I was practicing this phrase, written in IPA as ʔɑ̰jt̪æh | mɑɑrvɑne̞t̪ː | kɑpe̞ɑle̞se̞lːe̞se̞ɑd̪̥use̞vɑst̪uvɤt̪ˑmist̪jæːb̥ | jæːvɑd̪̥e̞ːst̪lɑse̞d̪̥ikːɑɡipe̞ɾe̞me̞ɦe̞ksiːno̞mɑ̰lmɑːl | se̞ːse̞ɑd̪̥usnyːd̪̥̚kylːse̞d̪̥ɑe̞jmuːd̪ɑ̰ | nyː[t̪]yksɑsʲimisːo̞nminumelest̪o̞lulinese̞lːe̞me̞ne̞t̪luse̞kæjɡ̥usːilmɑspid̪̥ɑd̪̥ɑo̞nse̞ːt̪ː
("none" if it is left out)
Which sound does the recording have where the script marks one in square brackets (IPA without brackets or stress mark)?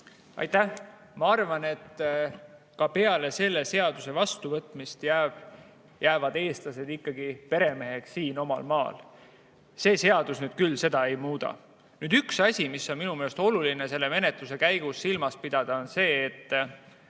d̪